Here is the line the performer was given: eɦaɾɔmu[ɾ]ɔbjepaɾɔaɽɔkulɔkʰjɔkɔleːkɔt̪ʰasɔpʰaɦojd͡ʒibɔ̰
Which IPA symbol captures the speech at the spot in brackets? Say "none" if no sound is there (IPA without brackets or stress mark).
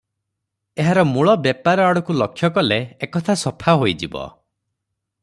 ɭ